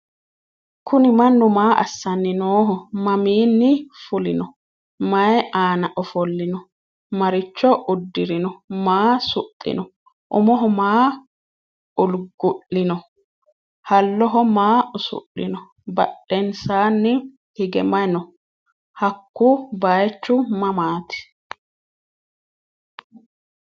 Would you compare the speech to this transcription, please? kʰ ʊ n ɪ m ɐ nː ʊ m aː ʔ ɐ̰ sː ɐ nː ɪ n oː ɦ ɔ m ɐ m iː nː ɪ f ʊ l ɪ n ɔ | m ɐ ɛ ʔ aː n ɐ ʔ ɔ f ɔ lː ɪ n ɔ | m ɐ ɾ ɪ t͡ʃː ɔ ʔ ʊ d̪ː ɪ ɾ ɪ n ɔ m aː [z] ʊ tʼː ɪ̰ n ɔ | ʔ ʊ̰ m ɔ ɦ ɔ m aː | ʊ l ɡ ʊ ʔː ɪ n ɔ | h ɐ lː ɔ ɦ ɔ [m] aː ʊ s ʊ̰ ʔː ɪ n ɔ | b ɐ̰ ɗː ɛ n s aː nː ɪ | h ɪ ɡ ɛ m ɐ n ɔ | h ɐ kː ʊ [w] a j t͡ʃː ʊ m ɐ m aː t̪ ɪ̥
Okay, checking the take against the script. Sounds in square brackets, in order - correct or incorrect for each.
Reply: incorrect: s, correct, incorrect: b

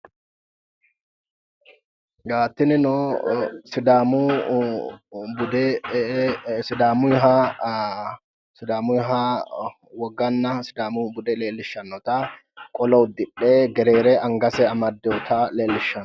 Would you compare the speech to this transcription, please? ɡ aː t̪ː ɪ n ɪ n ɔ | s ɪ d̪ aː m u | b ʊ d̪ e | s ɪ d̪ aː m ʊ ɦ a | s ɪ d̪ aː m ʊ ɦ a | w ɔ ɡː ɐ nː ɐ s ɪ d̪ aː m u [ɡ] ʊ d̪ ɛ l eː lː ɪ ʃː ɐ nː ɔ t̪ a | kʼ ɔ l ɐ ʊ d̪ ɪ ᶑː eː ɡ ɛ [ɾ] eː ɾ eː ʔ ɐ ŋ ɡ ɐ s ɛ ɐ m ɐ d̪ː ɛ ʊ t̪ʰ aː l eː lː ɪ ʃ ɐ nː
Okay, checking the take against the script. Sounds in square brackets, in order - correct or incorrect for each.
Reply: incorrect: b, correct

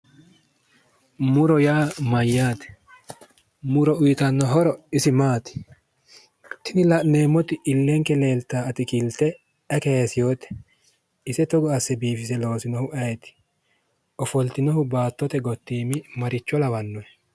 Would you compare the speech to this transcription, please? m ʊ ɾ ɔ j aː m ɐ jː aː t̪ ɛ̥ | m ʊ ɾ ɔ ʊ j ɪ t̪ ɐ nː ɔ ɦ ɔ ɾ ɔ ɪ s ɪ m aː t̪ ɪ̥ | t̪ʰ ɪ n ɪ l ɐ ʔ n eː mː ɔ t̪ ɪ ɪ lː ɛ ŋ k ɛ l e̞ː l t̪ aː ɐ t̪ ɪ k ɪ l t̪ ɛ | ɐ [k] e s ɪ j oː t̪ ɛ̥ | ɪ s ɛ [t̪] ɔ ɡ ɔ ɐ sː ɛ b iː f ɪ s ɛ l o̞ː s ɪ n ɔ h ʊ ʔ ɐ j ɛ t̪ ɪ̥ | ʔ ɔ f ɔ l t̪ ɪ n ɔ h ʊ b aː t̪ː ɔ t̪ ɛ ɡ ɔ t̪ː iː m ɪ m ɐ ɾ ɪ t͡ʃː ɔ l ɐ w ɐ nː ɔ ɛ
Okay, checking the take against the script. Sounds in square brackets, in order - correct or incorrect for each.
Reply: correct, correct

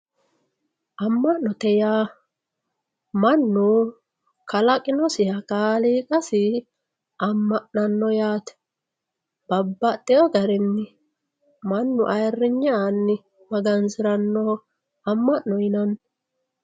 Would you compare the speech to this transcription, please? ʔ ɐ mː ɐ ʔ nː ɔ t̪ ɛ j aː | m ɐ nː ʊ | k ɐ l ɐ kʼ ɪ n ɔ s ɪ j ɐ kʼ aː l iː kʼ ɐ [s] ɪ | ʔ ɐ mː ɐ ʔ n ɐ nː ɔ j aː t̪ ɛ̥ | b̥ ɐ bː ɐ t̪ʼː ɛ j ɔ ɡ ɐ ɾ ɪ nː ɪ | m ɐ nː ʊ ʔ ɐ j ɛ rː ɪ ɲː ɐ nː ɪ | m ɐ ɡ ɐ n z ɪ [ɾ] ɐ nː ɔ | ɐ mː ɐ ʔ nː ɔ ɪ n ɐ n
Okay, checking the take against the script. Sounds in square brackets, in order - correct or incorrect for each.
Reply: correct, correct

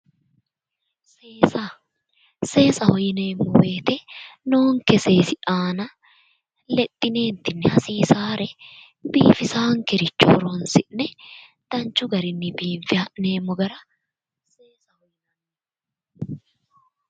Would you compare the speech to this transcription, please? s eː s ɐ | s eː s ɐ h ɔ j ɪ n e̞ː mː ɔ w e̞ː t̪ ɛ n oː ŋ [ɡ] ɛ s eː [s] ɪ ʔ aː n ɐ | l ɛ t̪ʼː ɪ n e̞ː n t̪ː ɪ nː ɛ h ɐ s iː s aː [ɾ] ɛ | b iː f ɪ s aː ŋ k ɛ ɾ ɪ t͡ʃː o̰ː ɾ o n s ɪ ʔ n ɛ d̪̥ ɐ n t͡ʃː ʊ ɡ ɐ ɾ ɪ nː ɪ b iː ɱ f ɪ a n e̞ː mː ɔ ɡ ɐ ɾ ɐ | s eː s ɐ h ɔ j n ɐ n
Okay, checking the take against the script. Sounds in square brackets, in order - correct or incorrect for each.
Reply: incorrect: k, correct, correct

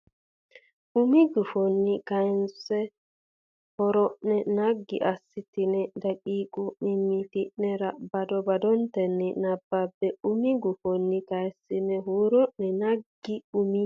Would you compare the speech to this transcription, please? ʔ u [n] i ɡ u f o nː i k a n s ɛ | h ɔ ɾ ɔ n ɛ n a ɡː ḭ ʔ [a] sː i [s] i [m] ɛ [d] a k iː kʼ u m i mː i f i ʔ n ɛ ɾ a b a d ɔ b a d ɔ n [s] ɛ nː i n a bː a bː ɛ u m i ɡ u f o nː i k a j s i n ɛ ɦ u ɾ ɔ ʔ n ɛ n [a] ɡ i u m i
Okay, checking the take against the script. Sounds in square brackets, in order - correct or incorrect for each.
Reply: incorrect: m, correct, incorrect: t, incorrect: n, correct, incorrect: t, correct

